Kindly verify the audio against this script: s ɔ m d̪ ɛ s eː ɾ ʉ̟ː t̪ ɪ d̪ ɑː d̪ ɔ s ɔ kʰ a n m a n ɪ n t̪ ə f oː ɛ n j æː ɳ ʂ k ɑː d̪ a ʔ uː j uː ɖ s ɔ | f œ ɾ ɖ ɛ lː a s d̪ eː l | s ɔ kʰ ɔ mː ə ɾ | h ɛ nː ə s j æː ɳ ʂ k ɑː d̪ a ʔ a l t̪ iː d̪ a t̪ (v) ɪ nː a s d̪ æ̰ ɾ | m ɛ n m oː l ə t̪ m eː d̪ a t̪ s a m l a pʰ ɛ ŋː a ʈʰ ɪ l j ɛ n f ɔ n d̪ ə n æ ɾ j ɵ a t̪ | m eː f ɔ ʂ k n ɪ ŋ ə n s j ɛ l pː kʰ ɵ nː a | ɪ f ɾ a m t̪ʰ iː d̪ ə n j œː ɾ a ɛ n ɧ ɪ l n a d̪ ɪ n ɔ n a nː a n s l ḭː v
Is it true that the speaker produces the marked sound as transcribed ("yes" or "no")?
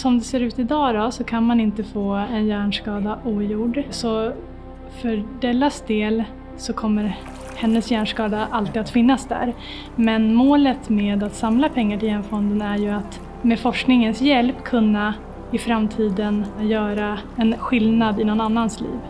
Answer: no